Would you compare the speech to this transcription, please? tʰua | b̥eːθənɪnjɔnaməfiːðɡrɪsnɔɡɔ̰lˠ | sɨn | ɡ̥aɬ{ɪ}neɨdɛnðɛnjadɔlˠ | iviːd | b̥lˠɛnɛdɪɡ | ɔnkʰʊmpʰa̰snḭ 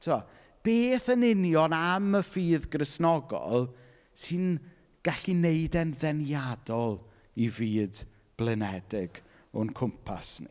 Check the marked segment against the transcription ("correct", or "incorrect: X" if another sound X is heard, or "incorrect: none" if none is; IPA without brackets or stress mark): incorrect: i